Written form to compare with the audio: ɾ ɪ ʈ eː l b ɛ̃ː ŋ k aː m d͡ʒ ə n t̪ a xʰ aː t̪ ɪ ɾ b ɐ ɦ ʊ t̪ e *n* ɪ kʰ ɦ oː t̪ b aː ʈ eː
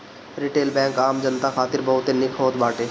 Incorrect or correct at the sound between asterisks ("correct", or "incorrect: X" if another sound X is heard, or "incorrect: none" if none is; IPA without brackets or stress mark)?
correct